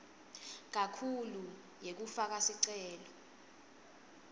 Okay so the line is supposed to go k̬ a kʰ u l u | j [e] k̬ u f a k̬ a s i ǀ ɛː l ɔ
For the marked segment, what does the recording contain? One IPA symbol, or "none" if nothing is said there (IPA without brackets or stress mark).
e